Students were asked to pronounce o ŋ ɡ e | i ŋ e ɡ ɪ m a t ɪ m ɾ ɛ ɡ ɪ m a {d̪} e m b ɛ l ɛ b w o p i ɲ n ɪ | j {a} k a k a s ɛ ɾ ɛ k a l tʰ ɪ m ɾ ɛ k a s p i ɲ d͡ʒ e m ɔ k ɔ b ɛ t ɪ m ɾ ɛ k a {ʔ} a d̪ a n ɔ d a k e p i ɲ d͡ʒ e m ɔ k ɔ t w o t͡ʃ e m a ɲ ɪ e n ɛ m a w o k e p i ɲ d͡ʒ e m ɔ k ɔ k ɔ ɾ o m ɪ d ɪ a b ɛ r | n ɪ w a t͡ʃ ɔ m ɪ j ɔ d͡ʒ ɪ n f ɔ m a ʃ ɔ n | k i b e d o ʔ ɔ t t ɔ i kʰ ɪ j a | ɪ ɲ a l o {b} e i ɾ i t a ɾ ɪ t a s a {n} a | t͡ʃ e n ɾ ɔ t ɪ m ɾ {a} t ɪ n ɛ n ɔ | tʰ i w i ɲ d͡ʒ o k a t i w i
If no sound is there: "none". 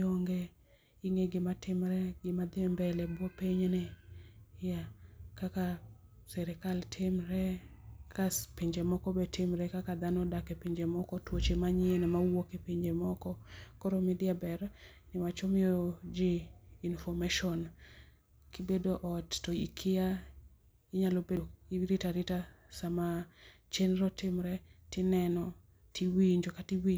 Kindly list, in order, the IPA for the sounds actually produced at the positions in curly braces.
d̪, a, k, b, m, ɛ

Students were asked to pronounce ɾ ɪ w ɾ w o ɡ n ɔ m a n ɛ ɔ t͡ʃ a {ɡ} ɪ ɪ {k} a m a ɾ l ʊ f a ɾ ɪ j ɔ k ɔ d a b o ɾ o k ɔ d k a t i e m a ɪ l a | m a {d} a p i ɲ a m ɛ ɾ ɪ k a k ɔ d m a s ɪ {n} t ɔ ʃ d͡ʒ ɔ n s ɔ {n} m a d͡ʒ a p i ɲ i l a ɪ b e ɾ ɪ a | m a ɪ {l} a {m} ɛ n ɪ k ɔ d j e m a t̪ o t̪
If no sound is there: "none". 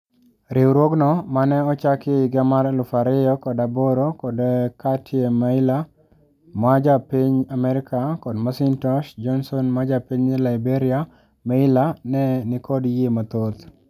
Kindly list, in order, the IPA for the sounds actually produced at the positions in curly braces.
k, ɡ, d͡ʒ, n, n, l, n

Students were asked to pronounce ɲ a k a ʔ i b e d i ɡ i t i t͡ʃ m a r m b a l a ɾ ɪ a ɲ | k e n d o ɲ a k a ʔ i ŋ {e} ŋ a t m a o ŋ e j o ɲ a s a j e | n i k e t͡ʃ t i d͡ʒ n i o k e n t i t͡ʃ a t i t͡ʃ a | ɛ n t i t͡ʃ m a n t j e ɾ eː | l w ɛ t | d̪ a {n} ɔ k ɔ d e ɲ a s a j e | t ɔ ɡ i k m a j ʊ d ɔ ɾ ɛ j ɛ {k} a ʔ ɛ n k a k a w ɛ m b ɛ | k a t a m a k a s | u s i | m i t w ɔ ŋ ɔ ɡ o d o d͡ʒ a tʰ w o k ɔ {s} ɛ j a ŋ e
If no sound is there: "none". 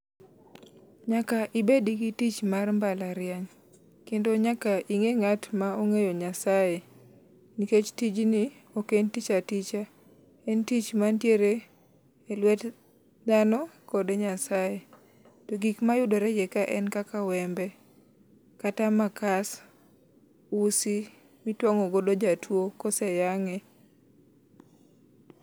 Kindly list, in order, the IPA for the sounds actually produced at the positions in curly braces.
e, n, k, s

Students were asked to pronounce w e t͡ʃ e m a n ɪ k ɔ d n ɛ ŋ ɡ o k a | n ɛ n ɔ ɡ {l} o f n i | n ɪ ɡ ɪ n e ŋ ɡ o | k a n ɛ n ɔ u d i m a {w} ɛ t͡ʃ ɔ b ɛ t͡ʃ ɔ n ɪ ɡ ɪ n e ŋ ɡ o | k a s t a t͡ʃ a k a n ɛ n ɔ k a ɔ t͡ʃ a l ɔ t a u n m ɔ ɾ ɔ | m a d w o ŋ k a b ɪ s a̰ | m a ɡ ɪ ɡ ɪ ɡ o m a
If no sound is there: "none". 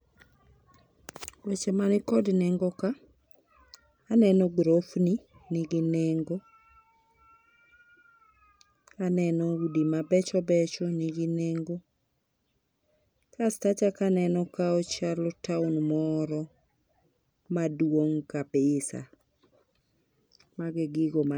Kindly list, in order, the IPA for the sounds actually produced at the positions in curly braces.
ɾ, b

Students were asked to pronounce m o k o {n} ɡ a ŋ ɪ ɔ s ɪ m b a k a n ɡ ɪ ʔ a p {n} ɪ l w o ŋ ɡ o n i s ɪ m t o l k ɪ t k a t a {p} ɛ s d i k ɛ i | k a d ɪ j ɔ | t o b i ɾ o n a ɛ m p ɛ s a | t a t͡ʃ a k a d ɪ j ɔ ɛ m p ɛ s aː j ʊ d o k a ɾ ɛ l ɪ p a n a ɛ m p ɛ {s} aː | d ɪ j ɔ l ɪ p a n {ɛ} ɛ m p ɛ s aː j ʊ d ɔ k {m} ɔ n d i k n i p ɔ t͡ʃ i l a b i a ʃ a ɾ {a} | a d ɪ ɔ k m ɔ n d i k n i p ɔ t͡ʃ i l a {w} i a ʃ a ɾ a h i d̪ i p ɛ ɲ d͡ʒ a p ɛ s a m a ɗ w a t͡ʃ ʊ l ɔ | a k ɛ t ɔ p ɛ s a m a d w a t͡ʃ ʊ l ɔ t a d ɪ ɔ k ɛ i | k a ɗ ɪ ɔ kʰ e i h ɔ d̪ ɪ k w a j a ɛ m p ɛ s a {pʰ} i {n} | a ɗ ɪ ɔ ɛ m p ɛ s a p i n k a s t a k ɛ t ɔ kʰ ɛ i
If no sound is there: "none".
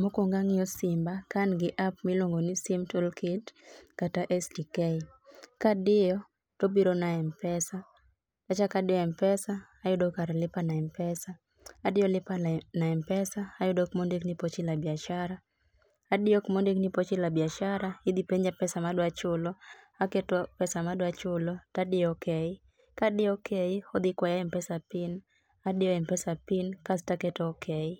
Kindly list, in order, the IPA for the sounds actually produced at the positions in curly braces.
ŋ, m, ʔ, s, a, m, a, b, p, n

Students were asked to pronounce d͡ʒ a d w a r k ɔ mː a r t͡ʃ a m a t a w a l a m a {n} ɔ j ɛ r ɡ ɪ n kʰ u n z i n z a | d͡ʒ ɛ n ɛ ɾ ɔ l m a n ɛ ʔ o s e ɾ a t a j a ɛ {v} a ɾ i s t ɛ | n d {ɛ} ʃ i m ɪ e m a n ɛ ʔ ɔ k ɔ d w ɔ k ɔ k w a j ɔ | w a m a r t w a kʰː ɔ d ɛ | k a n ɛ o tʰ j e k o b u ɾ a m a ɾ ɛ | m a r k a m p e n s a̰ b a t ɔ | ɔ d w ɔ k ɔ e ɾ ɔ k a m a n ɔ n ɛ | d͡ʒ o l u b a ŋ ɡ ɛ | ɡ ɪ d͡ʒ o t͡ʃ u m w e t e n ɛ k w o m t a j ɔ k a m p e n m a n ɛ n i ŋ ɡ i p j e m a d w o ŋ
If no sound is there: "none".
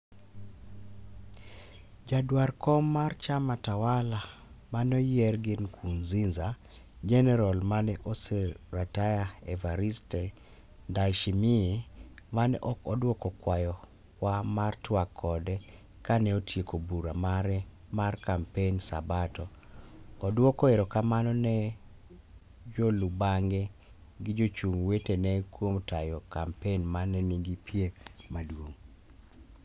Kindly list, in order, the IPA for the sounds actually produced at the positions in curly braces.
n, v, a

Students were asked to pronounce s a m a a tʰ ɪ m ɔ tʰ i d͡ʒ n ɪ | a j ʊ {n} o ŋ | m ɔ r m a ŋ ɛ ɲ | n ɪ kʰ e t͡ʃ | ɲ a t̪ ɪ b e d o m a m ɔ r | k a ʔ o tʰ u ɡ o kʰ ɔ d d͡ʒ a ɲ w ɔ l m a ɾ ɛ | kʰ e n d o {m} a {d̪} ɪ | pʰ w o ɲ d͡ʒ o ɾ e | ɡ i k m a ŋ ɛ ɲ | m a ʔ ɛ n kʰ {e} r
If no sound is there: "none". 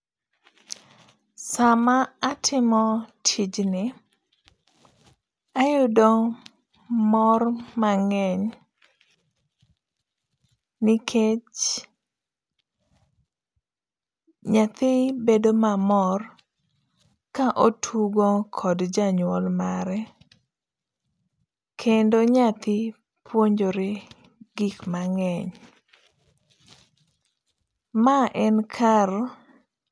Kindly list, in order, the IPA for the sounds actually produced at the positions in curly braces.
d, ɲ, t̪, a

